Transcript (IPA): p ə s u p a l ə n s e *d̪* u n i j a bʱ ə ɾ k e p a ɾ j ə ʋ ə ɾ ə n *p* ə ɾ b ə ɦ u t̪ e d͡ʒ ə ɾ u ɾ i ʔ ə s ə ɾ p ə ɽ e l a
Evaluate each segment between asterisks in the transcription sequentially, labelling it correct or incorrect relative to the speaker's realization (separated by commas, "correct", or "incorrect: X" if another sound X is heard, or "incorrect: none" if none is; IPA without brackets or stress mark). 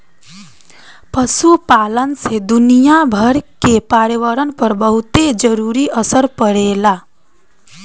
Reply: correct, correct